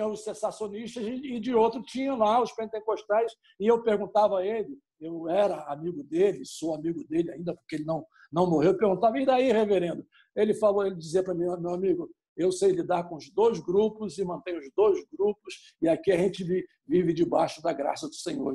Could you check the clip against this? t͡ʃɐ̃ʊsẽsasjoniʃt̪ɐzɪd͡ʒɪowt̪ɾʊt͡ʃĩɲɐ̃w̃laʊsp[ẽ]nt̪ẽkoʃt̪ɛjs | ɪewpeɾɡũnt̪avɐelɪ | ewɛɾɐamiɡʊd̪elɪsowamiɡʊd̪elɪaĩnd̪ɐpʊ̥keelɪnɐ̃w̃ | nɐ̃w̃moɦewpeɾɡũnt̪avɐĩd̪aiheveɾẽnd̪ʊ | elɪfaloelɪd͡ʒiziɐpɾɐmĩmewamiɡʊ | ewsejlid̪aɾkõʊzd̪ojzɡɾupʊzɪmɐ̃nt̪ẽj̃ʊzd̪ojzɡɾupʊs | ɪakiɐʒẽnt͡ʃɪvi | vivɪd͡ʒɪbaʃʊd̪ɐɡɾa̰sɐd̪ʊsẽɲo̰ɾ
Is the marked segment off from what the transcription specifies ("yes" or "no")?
no